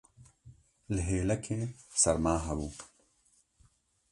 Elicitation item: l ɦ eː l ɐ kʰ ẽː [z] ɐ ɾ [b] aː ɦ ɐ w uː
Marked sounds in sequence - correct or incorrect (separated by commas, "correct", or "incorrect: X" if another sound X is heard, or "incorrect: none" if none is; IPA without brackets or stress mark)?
incorrect: s, incorrect: m